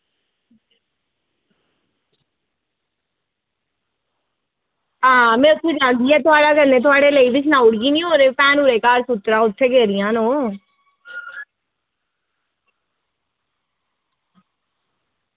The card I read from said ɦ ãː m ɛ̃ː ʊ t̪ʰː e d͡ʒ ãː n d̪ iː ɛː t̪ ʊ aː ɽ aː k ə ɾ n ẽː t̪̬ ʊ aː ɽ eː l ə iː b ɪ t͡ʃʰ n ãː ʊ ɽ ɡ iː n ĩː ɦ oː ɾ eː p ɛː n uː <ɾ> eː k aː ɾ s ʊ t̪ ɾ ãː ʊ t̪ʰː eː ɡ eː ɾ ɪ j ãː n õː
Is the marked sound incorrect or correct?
correct